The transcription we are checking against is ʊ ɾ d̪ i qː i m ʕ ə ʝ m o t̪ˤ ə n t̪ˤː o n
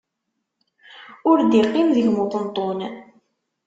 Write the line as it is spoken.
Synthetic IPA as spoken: ʊ ɾ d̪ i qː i m ð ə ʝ m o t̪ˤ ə n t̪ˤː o n

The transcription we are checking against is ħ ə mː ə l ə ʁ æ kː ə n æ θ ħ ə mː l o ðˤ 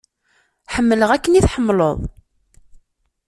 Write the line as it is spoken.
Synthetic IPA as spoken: ħ ə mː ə l ə ʁ æ kː ə n i θ ħ ə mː l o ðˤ

